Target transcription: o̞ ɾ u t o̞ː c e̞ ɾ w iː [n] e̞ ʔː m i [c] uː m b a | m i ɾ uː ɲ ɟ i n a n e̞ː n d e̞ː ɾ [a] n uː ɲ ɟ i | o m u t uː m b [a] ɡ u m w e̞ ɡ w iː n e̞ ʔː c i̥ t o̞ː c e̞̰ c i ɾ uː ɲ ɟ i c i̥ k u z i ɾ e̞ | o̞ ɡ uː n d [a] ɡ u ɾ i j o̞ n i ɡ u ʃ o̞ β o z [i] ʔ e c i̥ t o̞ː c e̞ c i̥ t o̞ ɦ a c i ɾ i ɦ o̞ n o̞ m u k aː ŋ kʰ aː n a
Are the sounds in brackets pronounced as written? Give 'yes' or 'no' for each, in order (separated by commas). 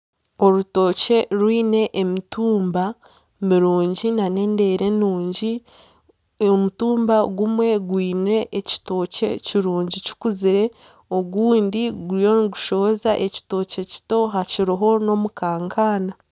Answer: yes, no, no, yes, no, no